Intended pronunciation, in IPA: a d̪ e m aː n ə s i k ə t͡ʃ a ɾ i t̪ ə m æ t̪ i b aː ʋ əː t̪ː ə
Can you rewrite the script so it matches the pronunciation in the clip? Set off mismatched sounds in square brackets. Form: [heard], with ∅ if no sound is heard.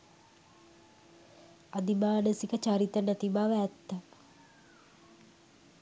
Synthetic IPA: a d̪ [i] m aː n ə s i k ə t͡ʃ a ɾ i t̪ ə [n] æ t̪ i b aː ʋ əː t̪ː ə